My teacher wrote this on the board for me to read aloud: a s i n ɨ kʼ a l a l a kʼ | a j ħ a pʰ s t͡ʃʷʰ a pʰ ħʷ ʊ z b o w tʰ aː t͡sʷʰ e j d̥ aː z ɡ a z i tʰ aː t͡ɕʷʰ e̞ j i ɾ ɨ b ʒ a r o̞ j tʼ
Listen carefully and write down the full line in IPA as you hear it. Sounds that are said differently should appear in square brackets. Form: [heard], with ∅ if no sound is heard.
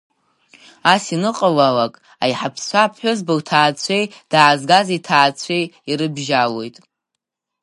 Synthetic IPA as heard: a s i n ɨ [qʼ] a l a l a kʼ | a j ħ a pʰ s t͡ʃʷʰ a pʰ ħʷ ʊ z b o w tʰ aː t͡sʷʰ e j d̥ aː z ɡ a z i tʰ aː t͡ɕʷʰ e̞ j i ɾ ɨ b ʒ a [l] o̞ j tʼ

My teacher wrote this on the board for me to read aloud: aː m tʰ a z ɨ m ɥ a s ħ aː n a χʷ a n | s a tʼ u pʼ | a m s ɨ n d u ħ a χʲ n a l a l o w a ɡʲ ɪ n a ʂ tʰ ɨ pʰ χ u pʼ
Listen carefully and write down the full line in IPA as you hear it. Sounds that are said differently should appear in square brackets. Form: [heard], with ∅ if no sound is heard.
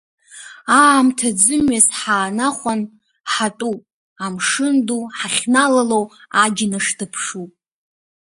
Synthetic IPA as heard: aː m tʰ a [d͡z] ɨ m ɥ a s ħ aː n a χʷ a n | [ħ] a tʼ u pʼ | a m [ʂ] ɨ n d u ħ a χʲ n a l a l o w a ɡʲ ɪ n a ʂ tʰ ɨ pʰ [ʂ] u pʼ

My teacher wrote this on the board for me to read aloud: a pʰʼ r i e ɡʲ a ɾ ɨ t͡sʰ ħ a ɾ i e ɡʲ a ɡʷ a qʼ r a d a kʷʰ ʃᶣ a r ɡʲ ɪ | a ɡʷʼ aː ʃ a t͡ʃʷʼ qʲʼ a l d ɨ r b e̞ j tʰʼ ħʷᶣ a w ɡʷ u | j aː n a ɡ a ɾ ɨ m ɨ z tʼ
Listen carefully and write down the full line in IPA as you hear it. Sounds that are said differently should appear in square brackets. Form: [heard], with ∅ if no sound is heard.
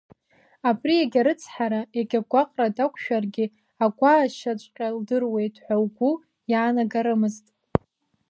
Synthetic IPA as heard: a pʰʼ r i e ɡʲ a ɾ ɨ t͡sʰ ħ a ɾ [a] e ɡʲ a ɡʷ a qʼ r a d a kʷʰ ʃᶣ a r ɡʲ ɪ | a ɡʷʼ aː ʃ a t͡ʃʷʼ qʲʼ a l d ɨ r [w] e̞ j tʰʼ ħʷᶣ a w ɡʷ u | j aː n a ɡ a ɾ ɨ m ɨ z tʼ

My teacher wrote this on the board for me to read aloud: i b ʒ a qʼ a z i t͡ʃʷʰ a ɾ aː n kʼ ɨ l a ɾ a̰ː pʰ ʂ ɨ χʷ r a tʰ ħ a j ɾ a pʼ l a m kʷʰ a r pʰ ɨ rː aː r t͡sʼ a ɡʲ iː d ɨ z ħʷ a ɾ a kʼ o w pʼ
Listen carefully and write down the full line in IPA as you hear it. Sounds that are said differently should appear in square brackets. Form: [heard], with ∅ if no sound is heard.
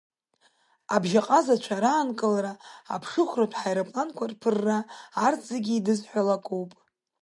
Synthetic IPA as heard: [a] b ʒ a qʼ a z [a] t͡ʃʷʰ a ɾ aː n kʼ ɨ l a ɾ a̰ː pʰ ʂ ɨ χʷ r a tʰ ħ a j ɾ a pʼ l a [n] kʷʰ a r pʰ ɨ rː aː r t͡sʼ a ɡʲ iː d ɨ z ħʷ a [l] a kʼ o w pʼ

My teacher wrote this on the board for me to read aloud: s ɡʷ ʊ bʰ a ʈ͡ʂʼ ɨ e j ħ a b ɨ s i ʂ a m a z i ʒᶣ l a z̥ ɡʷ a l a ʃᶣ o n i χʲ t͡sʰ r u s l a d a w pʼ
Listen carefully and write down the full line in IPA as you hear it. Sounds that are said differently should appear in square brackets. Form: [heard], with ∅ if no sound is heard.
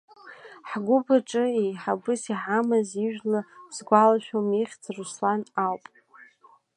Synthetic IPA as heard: [ħ] ɡʷ ʊ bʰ a ʈ͡ʂʼ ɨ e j ħ a b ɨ s i [ħ] a m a z i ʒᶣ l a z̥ ɡʷ a l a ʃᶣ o [m] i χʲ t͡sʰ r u s l a [n] a w pʼ

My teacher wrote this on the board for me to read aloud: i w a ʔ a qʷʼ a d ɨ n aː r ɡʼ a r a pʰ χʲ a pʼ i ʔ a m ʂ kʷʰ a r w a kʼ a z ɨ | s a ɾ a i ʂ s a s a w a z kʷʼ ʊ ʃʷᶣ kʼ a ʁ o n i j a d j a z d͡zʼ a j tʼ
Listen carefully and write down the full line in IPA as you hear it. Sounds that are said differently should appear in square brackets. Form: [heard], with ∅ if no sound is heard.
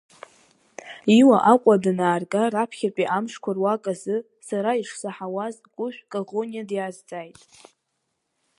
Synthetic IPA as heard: i w a ʔ a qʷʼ a d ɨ n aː r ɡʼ a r a pʰ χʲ a pʼ i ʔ a m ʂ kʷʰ a r w a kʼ a z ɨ | s a ɾ a i ʂ s a [ħ] a w a z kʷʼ ʊ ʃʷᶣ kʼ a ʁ o n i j a d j a z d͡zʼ a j tʼ

